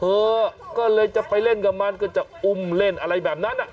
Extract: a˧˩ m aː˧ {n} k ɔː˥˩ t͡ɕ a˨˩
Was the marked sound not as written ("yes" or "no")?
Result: no